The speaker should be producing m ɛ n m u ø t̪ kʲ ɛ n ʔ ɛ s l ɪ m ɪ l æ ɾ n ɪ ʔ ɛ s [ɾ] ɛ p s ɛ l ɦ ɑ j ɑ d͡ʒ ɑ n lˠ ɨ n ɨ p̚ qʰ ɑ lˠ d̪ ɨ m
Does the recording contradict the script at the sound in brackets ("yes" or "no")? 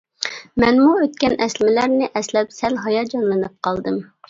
yes